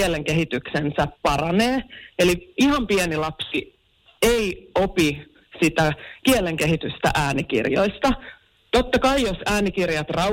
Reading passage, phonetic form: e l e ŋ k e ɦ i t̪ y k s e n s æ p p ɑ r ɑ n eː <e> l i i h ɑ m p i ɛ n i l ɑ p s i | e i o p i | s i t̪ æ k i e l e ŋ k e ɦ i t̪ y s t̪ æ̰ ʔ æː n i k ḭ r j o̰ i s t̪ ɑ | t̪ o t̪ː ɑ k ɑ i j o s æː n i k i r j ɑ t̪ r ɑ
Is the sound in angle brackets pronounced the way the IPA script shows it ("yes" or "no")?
yes